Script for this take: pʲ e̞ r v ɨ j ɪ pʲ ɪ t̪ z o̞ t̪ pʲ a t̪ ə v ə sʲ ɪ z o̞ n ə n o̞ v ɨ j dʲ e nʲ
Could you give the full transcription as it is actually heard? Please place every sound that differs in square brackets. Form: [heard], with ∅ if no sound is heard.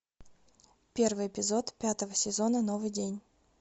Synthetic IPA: pʲ e̞ r v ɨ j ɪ pʲ ɪ [∅] z o̞ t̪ pʲ a t̪ ə v ə sʲ ɪ z o̞ n ə n o̞ v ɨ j dʲ e nʲ